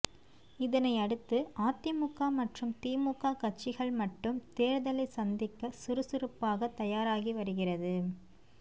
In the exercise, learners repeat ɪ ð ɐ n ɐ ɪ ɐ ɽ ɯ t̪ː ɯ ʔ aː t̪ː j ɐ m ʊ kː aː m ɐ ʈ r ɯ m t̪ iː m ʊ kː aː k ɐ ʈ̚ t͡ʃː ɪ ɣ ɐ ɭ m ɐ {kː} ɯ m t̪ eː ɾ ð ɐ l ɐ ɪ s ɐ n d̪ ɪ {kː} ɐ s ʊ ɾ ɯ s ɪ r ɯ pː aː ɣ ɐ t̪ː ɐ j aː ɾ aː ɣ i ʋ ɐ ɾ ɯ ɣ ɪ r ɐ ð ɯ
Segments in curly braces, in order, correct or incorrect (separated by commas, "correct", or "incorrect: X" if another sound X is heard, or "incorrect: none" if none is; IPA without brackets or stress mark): incorrect: ʈː, correct